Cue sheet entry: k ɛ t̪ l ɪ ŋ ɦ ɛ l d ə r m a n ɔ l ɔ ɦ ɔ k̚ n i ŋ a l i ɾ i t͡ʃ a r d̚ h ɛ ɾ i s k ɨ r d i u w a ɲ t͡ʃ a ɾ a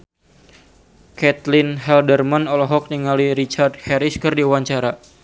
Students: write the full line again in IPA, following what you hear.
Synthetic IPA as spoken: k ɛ t̪ l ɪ n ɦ ɛ l d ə r m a n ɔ l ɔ ɦ ɔ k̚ n i ŋ a l i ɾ i t͡ʃ a r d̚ h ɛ ɾ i s k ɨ r d i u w a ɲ t͡ʃ a ɾ a